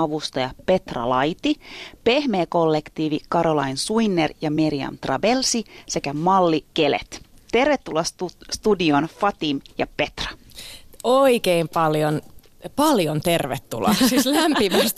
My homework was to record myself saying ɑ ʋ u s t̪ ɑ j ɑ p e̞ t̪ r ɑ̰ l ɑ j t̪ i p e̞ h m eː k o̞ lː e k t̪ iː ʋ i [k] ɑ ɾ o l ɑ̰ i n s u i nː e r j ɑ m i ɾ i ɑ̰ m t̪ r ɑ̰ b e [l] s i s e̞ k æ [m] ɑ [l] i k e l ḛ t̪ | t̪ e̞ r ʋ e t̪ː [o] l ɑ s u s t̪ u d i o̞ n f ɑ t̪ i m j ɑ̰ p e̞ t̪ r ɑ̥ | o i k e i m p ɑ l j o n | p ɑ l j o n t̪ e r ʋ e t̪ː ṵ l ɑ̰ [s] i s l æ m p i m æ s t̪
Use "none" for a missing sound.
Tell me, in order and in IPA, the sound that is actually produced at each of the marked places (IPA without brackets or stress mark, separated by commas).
k, l, m, lː, u, s